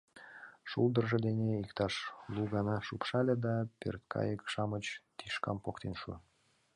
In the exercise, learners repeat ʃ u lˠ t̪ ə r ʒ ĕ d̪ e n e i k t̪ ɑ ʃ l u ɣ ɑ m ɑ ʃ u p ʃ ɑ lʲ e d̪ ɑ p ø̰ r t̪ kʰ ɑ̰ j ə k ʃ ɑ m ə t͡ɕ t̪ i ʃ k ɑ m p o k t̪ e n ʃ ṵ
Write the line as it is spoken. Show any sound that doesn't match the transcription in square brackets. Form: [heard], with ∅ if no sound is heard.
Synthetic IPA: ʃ u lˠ [d̪] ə r ʒ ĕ d̪ e n e i k t̪ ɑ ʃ l u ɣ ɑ [n] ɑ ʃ u p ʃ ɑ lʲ e d̪ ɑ p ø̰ r t̪ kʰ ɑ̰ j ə k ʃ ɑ m ə t͡ɕ t̪ i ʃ k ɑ m p o k t̪ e n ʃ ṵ